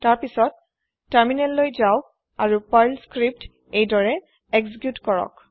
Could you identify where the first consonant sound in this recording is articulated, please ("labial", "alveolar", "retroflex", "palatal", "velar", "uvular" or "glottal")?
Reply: alveolar